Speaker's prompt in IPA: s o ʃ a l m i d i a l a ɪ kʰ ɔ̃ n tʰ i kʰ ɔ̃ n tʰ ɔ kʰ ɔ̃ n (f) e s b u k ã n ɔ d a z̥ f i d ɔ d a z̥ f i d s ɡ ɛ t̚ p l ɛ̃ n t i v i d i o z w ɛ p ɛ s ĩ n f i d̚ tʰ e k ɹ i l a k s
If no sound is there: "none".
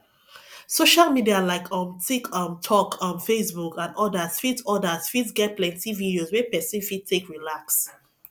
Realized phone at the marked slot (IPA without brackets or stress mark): f